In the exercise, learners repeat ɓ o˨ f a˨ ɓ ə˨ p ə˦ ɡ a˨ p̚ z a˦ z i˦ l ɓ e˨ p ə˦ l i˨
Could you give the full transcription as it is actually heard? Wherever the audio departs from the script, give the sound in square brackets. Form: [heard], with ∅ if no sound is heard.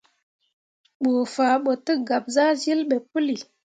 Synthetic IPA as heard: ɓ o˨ f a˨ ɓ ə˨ [t] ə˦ ɡ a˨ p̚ z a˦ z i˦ l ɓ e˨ p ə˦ l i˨